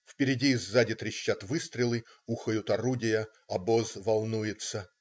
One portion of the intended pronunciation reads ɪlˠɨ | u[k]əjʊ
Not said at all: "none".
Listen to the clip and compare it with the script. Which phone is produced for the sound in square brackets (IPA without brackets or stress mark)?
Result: x